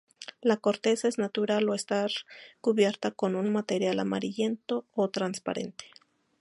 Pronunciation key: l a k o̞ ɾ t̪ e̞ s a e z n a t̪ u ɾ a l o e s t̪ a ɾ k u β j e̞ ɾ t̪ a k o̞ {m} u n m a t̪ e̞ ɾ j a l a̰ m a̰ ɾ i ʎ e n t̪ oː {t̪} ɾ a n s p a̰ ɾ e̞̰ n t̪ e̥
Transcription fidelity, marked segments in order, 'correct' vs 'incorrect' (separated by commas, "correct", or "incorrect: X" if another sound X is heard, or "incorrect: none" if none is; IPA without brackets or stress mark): incorrect: n, correct